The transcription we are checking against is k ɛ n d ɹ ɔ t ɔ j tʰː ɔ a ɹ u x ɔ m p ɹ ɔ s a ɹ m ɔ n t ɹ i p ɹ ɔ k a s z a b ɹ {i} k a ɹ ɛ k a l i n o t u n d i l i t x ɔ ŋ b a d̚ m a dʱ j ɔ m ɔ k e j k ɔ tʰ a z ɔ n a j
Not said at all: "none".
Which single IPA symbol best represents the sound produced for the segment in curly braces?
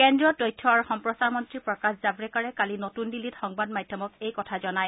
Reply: ɛ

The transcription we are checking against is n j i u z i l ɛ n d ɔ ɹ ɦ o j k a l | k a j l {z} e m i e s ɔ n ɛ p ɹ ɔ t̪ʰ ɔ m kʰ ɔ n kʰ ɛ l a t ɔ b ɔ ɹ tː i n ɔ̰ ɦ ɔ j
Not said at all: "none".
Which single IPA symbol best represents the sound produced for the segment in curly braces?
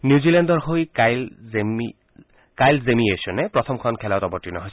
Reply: z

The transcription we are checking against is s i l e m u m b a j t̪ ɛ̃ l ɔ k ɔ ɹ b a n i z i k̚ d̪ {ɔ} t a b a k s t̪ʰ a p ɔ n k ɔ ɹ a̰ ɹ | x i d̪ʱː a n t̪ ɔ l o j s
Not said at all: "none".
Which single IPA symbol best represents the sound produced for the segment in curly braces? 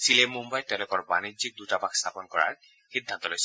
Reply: u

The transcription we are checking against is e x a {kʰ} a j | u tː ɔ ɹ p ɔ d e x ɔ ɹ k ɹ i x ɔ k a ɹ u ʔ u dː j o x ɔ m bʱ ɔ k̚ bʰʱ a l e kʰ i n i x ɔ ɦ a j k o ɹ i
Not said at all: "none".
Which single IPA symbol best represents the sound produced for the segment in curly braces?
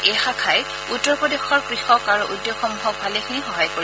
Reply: kʰ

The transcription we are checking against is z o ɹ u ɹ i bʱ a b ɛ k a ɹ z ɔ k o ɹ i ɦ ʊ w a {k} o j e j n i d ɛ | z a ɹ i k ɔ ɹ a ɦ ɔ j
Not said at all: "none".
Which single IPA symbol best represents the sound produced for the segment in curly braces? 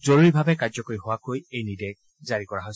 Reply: k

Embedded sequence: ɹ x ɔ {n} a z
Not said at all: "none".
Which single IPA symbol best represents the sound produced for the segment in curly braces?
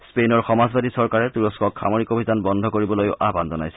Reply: m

